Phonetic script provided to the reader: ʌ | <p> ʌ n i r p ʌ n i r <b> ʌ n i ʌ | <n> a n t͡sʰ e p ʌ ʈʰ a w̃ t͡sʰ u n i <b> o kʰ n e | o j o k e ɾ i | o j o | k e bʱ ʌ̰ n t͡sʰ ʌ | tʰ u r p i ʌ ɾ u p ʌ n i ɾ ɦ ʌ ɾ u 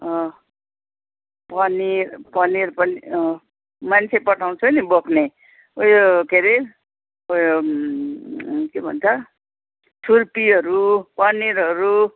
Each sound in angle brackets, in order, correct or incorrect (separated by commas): correct, incorrect, incorrect, correct